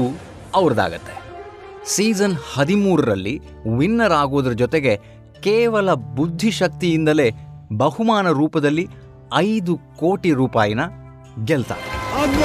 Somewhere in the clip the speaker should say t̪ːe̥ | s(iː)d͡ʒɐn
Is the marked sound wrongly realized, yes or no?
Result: no